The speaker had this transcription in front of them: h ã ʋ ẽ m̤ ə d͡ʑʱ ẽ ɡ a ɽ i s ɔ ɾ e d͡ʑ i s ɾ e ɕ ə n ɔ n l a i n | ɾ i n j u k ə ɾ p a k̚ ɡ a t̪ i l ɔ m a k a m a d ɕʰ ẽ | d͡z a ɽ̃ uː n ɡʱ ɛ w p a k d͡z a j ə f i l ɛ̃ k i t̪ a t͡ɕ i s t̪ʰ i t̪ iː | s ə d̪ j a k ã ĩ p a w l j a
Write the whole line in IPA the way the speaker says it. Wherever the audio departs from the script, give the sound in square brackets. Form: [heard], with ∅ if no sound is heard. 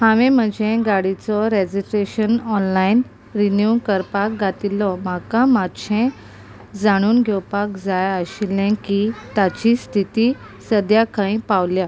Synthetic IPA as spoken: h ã ʋ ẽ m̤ ə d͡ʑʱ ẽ ɡ a ɽ i [t͡s] ɔ ɾ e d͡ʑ i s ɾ e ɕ ə n ɔ n l a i n | ɾ i n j u k ə ɾ p a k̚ ɡ a t̪ i l ɔ m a k a m a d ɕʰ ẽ | d͡z a ɽ̃ uː n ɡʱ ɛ w p a k d͡z a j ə [ɕ] i l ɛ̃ k i t̪ a t͡ɕ i s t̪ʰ i t̪ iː | s ə d̪ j a k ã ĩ p a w l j a